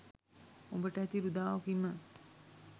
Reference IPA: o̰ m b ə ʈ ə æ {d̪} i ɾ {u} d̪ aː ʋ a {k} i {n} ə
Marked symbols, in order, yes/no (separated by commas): no, yes, yes, no